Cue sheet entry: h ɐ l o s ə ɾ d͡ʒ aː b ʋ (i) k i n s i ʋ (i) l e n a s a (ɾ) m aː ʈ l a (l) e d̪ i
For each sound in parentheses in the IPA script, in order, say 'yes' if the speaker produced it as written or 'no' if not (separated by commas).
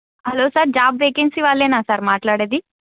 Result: no, no, yes, no